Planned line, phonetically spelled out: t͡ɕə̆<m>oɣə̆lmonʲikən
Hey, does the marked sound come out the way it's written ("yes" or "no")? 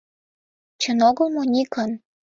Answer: no